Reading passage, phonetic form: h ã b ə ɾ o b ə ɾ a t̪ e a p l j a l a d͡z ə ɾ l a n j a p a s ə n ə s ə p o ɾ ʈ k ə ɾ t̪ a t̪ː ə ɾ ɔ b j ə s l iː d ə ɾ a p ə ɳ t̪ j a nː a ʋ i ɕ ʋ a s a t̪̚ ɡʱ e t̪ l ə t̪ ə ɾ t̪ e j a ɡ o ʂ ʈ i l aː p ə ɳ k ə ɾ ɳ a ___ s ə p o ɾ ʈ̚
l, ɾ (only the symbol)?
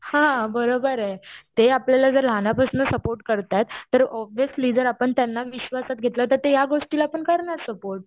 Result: ɾ